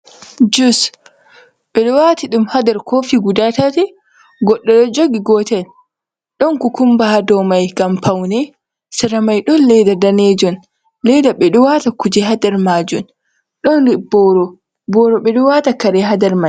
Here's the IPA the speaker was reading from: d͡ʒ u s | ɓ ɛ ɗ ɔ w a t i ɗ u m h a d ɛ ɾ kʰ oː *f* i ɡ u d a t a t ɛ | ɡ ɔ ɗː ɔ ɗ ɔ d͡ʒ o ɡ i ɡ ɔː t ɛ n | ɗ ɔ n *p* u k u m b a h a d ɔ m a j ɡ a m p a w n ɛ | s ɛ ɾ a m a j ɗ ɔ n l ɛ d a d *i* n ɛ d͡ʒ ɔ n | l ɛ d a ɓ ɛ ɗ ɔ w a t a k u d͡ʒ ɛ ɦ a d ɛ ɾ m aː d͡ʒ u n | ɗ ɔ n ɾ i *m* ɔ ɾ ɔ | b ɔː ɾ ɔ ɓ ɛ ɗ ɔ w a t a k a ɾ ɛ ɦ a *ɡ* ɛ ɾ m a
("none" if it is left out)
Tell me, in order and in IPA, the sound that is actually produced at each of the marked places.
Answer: f, k, a, b, d

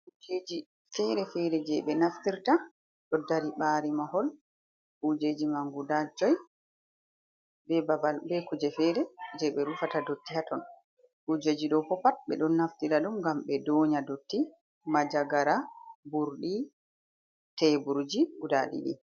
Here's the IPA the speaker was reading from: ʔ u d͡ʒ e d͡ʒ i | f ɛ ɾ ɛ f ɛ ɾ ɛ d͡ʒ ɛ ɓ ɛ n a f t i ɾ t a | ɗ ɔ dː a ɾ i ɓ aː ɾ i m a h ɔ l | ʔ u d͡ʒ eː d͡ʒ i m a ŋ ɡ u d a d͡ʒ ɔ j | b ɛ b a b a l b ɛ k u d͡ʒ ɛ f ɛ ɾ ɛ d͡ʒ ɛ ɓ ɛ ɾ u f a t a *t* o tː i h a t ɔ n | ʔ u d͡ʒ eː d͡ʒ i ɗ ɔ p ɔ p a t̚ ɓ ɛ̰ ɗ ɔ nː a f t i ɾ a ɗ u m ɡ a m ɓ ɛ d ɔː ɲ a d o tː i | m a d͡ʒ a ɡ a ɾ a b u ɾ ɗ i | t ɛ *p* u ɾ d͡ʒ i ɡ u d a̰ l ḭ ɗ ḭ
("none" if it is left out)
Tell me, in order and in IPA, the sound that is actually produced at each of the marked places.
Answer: d, b

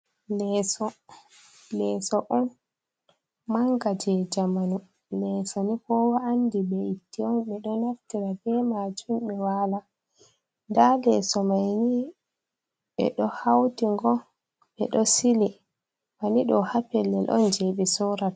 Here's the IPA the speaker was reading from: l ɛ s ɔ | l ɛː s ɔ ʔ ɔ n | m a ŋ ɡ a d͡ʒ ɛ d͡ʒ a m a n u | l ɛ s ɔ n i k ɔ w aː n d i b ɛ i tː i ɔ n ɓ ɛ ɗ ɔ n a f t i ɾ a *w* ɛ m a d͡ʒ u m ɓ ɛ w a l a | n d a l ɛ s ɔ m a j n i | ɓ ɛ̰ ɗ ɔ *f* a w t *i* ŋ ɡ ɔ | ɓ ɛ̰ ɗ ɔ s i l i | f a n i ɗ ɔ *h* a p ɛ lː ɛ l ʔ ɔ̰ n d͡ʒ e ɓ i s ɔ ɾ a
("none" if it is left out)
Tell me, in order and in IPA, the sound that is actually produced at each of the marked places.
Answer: b, h, i, h

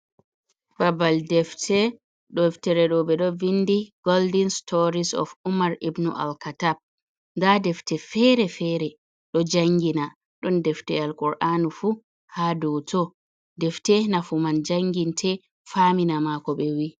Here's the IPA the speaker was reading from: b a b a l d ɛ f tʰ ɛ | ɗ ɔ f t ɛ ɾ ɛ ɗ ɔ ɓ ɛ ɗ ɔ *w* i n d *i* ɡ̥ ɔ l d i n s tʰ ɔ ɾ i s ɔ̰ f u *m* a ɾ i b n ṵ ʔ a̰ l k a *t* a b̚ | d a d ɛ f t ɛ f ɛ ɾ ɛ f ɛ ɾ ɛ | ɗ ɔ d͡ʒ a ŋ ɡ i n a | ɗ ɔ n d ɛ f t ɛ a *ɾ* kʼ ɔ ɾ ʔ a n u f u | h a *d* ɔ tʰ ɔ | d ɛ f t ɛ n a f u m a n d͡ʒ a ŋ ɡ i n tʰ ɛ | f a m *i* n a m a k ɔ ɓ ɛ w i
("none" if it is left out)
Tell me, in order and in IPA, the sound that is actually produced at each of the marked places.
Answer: v, i, m, t, l, d, i

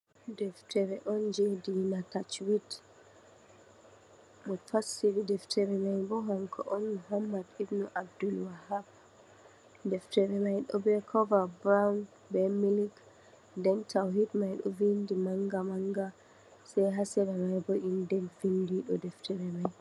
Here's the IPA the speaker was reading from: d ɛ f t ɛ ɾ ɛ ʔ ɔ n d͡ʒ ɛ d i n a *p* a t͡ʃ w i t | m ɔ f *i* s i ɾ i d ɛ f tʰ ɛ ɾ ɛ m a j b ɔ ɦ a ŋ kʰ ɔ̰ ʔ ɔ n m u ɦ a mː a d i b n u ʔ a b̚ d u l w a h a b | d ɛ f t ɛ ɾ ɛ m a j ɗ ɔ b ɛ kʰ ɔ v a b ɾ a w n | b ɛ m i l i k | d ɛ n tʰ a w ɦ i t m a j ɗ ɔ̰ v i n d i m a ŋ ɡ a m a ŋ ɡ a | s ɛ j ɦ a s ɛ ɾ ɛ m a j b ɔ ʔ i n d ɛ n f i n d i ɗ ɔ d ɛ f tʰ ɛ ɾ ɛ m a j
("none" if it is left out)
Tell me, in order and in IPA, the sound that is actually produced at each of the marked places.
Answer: t, a

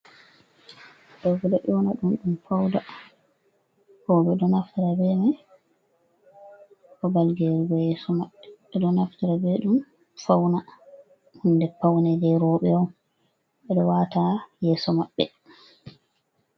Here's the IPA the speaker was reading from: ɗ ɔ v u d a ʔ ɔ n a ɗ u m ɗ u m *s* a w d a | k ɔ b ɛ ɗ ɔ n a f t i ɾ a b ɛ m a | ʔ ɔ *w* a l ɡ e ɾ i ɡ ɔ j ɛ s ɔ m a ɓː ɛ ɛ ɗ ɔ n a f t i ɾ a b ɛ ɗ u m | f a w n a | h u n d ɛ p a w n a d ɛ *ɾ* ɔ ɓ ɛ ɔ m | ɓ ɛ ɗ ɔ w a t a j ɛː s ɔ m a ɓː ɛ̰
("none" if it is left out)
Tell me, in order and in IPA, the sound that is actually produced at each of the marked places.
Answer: f, b, ɾ

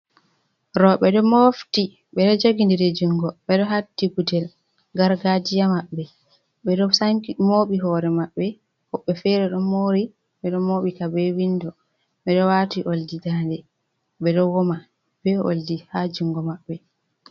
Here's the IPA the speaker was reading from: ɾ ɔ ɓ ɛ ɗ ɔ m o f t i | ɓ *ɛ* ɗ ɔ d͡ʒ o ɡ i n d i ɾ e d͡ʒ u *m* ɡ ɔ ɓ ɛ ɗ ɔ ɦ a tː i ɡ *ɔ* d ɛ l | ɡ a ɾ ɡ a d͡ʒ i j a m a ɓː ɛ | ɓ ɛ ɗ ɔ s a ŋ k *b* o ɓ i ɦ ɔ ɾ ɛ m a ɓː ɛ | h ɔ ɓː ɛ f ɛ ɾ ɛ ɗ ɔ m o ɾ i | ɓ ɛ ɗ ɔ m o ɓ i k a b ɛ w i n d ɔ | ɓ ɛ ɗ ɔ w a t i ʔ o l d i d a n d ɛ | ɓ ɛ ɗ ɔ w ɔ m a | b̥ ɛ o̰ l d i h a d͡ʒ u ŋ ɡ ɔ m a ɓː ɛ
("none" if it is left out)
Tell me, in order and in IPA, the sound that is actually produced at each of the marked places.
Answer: ɛ, ŋ, u, m

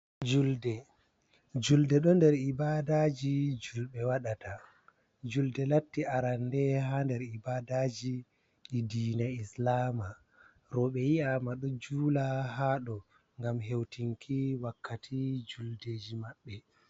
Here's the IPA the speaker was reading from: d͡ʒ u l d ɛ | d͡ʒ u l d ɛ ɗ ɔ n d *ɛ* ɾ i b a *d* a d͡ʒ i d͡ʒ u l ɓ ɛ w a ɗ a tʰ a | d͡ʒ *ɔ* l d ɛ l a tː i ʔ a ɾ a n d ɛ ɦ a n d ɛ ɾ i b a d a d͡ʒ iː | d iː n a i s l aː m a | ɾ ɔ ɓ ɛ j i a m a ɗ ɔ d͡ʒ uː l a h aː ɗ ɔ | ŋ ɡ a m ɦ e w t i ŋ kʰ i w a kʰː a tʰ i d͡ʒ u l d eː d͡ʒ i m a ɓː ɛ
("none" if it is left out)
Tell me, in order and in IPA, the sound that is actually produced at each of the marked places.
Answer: ɛ, d, u

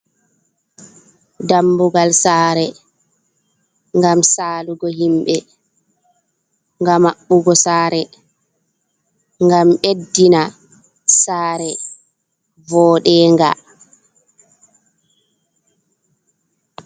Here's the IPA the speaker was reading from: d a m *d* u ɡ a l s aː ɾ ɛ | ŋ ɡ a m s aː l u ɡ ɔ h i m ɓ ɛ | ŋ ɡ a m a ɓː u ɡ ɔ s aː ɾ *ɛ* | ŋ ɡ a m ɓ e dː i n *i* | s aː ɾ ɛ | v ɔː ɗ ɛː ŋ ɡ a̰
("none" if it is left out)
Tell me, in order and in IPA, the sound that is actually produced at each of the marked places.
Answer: b, ɛ, a

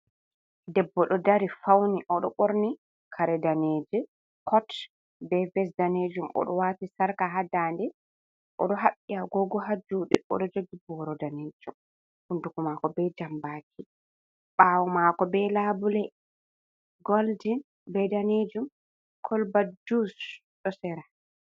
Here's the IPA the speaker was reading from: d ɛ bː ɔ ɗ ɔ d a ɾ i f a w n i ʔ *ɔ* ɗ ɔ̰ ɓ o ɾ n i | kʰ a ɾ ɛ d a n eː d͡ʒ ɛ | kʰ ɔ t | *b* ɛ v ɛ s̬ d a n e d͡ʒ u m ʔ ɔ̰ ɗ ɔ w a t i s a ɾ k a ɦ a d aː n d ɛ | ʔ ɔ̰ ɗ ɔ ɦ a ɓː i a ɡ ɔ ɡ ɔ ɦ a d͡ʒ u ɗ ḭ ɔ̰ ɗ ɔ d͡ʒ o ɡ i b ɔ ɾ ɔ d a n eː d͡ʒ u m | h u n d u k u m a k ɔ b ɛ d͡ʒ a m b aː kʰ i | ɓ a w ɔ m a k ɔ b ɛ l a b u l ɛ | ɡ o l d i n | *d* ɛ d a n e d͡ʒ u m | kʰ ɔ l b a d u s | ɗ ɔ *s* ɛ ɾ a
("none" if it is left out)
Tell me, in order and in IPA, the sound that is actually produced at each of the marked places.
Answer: ɔ, b, b, s

